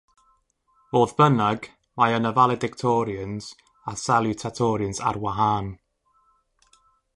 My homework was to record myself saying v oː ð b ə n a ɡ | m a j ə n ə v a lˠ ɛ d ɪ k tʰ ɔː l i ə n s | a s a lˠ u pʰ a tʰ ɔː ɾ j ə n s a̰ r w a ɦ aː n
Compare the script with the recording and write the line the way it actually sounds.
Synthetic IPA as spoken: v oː ð b ə n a ɡ | m a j ə n ə v a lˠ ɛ d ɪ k tʰ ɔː ɾ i ə n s | a s a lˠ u tʰ a tʰ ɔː ɾ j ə n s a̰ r w a ɦ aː n